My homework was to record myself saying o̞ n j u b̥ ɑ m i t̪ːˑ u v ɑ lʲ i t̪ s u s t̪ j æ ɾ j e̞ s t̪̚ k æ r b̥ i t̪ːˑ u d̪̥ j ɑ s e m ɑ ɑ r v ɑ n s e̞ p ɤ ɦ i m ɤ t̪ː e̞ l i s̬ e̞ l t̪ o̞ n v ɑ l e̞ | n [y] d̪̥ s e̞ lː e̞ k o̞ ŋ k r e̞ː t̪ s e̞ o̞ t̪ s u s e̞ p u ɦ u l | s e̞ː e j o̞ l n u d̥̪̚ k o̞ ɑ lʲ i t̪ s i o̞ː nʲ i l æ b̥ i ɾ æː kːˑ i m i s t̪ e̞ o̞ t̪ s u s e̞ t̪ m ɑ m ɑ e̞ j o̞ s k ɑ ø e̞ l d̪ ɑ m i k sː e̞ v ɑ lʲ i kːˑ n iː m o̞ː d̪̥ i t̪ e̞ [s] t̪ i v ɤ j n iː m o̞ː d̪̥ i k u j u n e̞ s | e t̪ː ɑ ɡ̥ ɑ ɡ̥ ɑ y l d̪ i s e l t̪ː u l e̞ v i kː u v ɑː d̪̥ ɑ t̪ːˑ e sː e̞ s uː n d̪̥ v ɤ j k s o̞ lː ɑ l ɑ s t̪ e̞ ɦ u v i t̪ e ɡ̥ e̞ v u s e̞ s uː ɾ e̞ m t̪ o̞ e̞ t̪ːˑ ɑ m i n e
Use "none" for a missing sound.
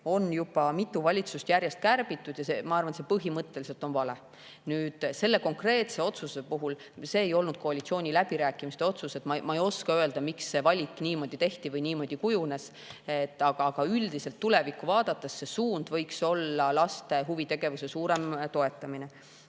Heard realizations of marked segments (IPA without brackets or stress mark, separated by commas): yː, h